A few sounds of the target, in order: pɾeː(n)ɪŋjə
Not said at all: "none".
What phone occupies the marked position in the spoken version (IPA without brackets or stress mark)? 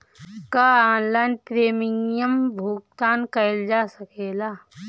m